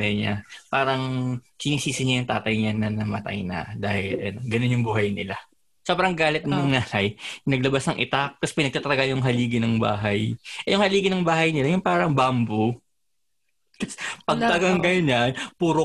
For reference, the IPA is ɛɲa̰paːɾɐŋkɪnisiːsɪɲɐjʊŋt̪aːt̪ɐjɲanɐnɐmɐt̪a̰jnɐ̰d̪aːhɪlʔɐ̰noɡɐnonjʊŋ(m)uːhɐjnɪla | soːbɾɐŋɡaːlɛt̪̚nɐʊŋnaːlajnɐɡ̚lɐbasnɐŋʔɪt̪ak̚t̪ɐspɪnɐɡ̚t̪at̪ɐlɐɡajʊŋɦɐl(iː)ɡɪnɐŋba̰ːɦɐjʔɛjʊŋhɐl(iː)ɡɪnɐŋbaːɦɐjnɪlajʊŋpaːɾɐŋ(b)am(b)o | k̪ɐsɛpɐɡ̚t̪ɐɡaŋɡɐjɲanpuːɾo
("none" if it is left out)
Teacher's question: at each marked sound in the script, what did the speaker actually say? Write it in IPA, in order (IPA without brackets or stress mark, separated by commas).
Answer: b, iː, iː, b, b